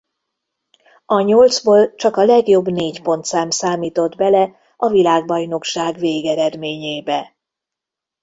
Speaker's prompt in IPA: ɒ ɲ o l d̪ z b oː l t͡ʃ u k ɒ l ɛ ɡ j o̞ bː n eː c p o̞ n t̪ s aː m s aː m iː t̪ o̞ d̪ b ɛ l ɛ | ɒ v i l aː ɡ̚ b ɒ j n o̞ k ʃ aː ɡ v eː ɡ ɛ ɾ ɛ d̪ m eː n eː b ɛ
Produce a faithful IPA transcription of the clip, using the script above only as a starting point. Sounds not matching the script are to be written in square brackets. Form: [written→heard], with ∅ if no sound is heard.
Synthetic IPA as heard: ɒ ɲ o l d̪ z b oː l t͡ʃ [u→ɒ] k ɒ l ɛ ɡ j o̞ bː n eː c p o̞ n t̪ s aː m s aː m iː t̪ o̞ d̪ b ɛ l ɛ | ɒ v i l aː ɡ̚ b ɒ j n o̞ k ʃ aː ɡ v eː ɡ ɛ ɾ ɛ d̪ m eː [n→ɲ] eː b ɛ